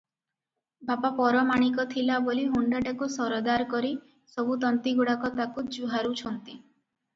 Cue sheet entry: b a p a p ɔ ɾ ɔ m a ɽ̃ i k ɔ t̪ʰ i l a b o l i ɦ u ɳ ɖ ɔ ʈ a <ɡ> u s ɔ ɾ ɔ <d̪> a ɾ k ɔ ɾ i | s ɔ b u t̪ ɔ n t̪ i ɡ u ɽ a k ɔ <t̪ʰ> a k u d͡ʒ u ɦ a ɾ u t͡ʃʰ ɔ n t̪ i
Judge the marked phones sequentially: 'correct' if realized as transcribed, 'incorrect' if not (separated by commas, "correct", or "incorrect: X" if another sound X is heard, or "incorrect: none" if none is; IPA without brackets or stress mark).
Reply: incorrect: k, correct, incorrect: t̪